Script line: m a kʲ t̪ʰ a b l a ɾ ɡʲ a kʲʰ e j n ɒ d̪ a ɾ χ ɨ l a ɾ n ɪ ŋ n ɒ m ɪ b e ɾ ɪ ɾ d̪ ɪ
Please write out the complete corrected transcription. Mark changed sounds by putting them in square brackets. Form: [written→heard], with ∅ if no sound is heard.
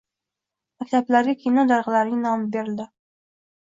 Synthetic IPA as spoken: m a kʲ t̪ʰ a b l a ɾ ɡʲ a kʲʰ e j n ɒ d̪ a ɾ [χ→ʁ] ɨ l a ɾ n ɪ ŋ n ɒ m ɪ b e ɾ ɪ [ɾ→l] d̪ ɪ

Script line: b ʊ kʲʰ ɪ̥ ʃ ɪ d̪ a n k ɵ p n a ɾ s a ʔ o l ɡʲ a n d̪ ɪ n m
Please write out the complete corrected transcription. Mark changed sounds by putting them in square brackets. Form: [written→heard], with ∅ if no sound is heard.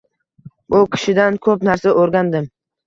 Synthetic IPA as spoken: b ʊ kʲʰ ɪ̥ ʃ ɪ d̪ a n [k→kʰ] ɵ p n a ɾ s a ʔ o [l→ɾ] ɡʲ a n d̪ ɪ [n→∅] m

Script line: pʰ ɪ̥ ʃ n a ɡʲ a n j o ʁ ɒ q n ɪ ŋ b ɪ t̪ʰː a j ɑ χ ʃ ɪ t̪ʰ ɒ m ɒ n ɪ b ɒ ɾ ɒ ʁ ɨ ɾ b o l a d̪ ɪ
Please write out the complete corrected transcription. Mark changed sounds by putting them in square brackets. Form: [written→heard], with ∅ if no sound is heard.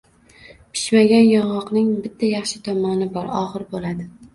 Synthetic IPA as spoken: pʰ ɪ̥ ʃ [n→m] a ɡʲ a n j [o→ɒ] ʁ ɒ q n ɪ ŋ b ɪ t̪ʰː a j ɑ χ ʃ ɪ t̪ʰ ɒ m ɒ n ɪ b ɒ ɾ ɒ ʁ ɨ ɾ b o l a d̪ ɪ

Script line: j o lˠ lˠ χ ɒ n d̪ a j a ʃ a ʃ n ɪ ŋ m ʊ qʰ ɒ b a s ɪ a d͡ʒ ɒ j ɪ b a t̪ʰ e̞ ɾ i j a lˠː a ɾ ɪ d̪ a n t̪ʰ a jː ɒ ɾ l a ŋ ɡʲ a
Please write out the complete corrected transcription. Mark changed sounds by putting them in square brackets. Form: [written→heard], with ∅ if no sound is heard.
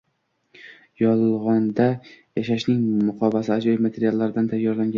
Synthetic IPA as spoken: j [o→ɒ] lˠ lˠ [χ→ʁ] ɒ n d̪ a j a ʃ a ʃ n ɪ ŋ m ʊ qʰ ɒ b a s ɪ a d͡ʒ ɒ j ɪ [b→m] a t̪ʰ e̞ ɾ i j a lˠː a ɾ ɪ d̪ a n t̪ʰ a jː ɒ ɾ l a ŋ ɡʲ a

